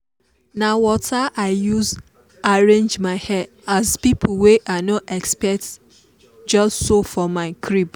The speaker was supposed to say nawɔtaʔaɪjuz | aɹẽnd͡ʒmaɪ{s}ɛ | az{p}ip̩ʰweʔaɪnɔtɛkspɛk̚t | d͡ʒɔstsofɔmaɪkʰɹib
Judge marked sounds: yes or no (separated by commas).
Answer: no, yes